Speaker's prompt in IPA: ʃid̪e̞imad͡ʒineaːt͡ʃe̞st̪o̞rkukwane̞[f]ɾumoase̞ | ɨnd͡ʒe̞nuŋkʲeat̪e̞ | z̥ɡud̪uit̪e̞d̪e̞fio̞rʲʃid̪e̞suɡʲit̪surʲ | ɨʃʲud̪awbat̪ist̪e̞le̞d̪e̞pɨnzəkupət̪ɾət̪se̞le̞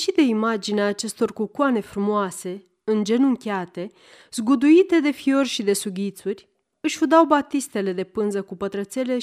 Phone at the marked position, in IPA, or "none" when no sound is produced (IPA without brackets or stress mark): f